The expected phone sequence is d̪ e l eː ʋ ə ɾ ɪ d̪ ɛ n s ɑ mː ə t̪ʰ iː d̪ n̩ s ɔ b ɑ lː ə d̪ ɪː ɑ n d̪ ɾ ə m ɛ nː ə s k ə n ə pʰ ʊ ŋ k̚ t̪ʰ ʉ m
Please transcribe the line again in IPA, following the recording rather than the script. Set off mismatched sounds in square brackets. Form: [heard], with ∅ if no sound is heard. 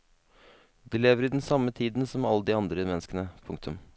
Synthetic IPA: d̪ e l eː ʋ ə ɾ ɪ d̪ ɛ n s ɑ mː ə t̪ʰ iː d̪ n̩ s ɔ [m] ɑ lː ə d̪ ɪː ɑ n d̪ ɾ ə m ɛ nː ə s k ə n ə pʰ ʊ ŋ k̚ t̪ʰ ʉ m